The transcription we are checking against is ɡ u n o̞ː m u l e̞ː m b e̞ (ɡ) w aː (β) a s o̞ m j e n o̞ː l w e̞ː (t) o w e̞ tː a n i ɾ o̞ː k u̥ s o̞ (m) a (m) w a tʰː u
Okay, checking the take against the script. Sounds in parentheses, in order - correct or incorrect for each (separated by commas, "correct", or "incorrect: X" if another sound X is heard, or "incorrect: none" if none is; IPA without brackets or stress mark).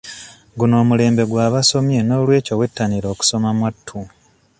correct, correct, incorrect: c, correct, correct